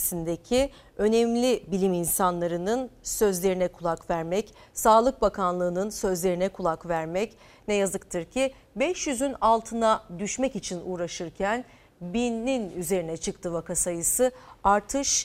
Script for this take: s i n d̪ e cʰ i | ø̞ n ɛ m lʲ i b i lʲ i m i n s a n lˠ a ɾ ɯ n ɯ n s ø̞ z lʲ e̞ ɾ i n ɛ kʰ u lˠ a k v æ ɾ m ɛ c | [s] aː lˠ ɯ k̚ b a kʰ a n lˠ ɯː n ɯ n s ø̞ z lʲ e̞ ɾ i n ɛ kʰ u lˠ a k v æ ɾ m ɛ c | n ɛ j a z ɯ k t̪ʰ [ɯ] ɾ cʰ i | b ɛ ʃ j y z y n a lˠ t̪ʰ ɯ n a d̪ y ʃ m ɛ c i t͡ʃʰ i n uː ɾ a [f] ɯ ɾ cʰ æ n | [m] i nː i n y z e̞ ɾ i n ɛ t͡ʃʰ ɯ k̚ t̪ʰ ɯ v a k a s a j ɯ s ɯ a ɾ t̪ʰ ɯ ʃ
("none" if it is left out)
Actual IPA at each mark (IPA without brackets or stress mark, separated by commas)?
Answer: s, ɯ, ʃ, b